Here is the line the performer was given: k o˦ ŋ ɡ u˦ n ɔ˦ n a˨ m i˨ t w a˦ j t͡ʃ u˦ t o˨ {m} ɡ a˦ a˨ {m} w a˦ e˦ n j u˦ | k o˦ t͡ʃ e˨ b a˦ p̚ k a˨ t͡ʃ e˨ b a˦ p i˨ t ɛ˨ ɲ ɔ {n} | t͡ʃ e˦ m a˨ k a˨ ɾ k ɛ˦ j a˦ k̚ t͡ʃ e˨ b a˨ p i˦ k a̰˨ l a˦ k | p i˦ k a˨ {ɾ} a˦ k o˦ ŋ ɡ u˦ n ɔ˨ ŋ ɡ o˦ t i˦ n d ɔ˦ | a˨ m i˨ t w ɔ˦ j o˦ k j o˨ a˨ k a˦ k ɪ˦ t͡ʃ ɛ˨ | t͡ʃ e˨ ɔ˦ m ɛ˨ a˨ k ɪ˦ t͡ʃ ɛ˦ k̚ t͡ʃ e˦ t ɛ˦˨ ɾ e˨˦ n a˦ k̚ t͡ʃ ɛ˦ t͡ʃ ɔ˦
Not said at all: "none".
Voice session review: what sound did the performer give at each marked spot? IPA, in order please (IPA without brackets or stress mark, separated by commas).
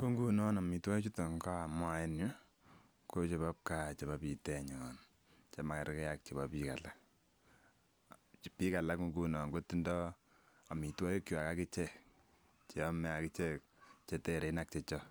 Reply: ŋ, m, n, l